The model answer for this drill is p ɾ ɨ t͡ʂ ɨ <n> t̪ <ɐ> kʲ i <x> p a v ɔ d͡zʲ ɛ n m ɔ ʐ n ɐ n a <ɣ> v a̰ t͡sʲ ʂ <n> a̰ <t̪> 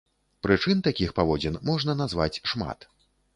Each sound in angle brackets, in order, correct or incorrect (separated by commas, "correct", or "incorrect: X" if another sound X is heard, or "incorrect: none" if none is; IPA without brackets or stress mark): correct, incorrect: a, correct, incorrect: z, incorrect: m, correct